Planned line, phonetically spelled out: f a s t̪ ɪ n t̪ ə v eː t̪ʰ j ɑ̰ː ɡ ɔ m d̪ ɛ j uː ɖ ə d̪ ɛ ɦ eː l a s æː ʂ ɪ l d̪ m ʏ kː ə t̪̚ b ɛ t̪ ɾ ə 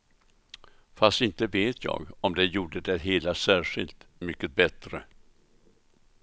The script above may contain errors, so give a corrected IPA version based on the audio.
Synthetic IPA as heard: f a s t̪ ɪ n t̪ ə v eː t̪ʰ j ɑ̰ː ɡ ɔ m d̪ ɛ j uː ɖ ə d̪ ɛ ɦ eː l a s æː ʂ ɪ l t̪ m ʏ kː ə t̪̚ b ɛ t̪ ɾ ə